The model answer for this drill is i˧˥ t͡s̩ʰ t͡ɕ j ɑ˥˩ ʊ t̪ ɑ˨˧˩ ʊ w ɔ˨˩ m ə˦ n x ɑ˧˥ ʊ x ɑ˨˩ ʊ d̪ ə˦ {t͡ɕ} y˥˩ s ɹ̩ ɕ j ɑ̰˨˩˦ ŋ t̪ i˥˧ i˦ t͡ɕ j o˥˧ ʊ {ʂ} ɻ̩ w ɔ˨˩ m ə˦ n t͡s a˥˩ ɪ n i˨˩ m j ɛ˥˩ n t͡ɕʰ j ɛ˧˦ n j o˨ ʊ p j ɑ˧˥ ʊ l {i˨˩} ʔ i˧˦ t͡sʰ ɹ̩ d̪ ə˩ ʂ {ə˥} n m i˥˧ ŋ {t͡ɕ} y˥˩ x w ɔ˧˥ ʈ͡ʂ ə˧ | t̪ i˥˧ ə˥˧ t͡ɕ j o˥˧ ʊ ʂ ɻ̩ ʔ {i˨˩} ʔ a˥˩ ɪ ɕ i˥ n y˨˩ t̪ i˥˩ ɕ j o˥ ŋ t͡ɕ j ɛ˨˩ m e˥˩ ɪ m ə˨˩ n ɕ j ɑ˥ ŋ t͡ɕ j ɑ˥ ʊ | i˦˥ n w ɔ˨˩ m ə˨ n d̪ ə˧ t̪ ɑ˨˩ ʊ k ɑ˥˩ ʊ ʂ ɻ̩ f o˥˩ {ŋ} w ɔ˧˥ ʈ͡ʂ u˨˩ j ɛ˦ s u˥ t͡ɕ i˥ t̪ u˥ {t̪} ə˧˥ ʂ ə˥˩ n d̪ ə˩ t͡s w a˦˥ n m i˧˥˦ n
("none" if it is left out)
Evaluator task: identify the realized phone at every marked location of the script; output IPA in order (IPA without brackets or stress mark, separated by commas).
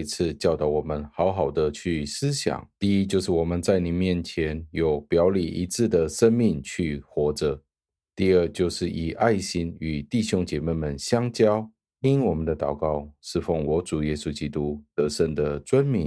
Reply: t͡ɕʰ, ʂ, i˨˩, ə˥, t͡ɕʰ, i˨˩, ŋ, t̪